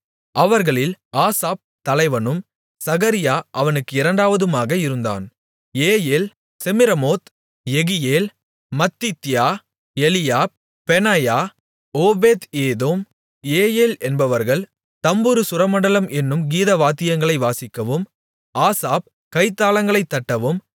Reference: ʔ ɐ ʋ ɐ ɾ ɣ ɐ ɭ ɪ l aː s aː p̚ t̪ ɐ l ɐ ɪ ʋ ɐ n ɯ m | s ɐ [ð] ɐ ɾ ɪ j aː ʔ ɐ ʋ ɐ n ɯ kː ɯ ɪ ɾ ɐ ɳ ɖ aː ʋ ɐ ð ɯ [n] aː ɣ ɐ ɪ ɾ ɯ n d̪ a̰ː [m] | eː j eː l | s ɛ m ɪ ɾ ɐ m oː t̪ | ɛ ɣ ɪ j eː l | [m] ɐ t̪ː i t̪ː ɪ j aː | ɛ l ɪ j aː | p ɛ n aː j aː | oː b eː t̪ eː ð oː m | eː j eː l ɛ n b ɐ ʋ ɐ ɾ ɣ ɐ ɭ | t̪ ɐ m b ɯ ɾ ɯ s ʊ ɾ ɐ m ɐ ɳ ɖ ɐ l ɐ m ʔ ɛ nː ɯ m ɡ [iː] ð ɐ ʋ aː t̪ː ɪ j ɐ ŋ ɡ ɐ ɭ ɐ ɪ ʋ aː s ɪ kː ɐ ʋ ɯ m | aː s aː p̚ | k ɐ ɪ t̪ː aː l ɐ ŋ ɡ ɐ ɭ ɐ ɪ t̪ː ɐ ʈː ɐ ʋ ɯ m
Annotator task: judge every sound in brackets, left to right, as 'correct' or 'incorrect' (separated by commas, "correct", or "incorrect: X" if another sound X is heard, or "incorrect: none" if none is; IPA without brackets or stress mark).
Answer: incorrect: ɣ, incorrect: m, incorrect: n, correct, correct